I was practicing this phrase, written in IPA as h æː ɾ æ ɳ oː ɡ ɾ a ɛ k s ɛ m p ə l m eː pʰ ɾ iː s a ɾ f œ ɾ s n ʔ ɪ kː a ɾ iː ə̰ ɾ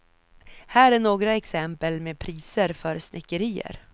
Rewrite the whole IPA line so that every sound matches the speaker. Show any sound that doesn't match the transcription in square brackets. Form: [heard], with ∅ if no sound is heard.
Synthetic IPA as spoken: h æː ɾ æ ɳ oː ɡ ɾ a ɛ k s ɛ m p ə l m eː pʰ ɾ iː s [ə] ɾ f œ ɾ s n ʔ ɪ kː [ə] ɾ iː ə̰ ɾ